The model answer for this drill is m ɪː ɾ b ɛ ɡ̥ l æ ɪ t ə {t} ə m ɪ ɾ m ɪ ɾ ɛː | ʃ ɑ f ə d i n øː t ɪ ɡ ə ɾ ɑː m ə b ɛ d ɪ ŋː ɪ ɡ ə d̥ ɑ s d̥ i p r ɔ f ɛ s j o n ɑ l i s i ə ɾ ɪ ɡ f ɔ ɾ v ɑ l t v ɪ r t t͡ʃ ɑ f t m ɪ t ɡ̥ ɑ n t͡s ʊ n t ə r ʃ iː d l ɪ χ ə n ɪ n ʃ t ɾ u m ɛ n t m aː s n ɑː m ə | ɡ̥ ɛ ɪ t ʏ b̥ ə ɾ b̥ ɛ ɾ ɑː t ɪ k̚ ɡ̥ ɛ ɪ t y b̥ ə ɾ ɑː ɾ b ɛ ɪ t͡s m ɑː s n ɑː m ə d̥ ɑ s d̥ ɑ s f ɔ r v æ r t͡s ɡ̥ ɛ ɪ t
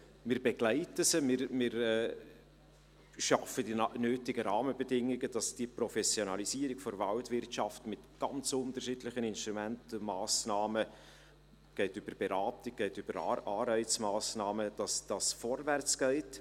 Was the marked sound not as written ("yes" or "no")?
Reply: yes